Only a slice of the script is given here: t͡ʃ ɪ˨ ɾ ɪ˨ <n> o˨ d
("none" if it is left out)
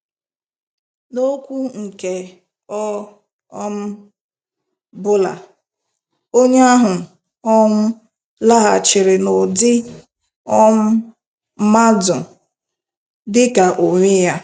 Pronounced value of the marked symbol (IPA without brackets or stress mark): n